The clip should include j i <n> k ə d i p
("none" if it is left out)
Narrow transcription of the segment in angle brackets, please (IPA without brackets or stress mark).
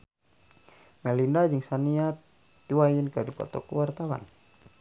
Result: n